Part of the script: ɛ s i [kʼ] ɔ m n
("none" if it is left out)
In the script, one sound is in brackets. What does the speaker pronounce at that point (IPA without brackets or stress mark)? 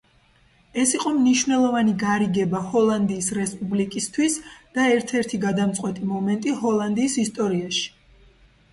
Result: qʼ